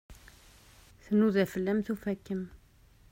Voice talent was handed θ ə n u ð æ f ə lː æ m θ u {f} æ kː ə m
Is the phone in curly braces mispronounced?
no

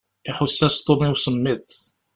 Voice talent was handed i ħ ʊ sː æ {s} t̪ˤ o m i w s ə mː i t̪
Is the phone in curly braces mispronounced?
no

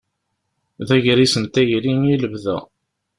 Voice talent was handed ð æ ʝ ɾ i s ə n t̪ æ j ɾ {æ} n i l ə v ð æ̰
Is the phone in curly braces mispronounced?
yes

